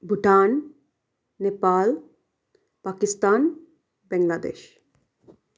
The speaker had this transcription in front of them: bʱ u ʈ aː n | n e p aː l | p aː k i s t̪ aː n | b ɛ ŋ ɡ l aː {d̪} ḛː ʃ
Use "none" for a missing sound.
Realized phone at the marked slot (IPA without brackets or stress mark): d̪